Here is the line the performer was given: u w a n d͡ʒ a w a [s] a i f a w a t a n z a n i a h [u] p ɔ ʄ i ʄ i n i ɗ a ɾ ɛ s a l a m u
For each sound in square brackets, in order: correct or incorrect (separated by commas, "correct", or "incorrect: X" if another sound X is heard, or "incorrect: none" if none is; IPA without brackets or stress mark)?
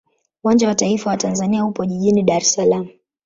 incorrect: t, correct